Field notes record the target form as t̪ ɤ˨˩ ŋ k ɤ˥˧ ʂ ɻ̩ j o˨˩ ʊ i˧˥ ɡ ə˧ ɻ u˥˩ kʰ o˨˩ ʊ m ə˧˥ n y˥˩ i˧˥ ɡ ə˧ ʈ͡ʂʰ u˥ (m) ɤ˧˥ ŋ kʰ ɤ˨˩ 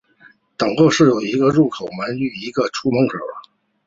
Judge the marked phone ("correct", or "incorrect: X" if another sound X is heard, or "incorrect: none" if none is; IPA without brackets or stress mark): correct